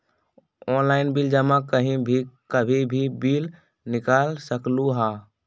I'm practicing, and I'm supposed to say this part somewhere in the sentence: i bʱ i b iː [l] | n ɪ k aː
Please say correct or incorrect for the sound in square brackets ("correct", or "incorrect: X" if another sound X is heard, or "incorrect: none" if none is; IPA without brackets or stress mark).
correct